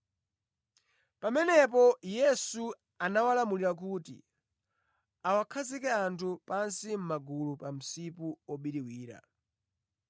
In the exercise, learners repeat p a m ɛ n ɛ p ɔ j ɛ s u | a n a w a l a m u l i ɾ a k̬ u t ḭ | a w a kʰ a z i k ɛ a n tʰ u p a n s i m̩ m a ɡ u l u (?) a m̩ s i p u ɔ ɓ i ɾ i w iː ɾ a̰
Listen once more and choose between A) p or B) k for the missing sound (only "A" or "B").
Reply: A